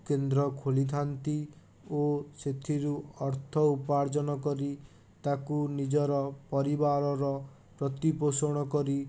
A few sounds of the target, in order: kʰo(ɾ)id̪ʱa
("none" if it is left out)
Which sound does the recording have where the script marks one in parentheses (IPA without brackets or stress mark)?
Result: l